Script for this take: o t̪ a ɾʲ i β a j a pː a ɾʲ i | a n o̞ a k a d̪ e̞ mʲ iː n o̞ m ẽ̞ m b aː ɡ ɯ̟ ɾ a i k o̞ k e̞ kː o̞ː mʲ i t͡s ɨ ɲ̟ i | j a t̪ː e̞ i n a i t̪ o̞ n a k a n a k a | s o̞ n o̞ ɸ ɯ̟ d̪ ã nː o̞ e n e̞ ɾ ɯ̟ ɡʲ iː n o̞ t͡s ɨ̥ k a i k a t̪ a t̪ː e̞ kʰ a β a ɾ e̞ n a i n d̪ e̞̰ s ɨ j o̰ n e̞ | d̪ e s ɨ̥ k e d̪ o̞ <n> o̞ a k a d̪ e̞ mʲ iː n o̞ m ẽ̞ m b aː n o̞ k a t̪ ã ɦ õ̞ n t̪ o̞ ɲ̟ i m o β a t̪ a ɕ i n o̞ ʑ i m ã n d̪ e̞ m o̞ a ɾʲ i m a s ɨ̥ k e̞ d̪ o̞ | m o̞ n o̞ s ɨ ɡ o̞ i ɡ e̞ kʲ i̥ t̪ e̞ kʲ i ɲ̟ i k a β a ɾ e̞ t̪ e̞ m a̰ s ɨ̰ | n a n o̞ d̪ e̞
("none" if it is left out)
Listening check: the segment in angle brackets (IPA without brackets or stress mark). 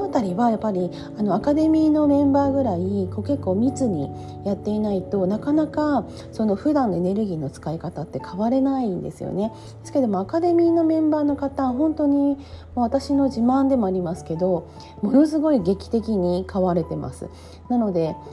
m